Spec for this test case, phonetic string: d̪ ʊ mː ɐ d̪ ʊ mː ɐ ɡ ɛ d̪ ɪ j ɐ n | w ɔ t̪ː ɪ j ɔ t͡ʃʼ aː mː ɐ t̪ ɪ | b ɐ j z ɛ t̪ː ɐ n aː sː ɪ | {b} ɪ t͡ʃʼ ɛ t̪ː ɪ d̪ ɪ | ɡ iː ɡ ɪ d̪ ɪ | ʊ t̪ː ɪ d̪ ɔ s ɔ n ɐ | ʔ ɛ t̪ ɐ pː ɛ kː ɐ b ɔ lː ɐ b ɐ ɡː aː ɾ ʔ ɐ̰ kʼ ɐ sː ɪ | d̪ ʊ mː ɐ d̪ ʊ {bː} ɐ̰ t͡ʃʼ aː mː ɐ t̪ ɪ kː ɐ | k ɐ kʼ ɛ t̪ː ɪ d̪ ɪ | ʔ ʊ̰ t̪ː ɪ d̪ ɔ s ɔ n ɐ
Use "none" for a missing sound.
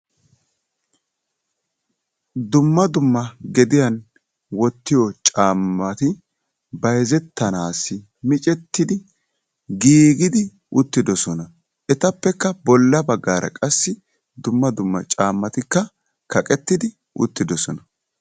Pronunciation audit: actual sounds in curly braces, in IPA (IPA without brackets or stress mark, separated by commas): m, mː